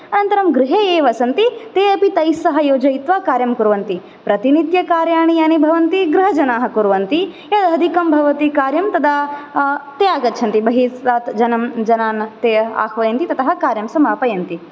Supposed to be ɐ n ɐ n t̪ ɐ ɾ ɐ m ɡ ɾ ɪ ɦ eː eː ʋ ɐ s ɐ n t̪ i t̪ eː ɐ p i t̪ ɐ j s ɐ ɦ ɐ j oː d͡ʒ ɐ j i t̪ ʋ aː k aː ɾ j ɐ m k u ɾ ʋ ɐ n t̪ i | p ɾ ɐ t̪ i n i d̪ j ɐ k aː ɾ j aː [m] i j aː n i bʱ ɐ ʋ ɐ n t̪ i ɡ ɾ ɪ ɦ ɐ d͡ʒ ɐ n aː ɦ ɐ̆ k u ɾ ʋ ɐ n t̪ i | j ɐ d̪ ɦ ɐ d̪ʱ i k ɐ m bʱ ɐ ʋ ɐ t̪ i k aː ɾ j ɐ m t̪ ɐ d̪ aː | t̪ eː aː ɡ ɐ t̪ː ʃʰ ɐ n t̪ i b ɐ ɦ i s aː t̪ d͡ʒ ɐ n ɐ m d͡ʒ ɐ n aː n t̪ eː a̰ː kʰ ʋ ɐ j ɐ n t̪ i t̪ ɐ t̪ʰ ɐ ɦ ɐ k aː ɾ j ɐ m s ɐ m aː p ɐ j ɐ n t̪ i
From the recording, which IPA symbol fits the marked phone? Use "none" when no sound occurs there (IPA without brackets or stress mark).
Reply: ɳ